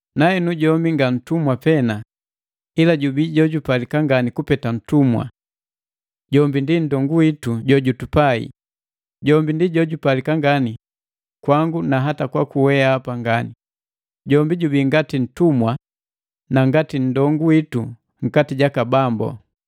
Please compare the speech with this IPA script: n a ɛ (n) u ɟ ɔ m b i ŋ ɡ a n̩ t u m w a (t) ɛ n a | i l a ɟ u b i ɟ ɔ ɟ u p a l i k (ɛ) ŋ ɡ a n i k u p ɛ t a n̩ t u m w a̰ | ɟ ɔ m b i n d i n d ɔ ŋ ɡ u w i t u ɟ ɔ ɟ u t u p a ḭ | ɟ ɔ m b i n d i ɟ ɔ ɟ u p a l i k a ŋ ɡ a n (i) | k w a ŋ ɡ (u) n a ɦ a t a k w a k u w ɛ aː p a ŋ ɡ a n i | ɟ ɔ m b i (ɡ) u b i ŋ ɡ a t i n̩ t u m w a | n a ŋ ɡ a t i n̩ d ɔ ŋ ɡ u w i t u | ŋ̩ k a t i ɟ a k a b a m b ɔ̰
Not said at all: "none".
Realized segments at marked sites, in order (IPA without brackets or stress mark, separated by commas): n, p, a, i, u, ɟ